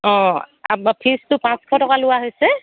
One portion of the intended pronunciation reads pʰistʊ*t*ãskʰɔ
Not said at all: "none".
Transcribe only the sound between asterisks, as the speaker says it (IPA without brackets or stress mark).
p